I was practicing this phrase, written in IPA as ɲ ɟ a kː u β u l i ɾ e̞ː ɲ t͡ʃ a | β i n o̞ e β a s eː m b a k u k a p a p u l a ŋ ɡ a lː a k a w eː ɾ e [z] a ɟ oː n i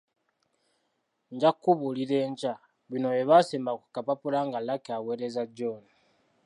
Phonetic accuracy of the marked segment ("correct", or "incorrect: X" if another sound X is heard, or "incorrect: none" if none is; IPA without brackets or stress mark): correct